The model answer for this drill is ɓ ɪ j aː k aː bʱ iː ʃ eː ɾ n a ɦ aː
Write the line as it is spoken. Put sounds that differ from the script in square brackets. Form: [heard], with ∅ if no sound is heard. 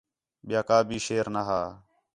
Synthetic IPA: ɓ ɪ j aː k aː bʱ iː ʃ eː ɾ n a ɦ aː